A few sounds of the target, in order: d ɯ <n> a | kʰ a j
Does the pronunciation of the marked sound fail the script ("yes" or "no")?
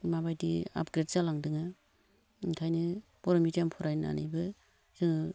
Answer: yes